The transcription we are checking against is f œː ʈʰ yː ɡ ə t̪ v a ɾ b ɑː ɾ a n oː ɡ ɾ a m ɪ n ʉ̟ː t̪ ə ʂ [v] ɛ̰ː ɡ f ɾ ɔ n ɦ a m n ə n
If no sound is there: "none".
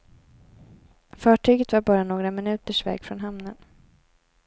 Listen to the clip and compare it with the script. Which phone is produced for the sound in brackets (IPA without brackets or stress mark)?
v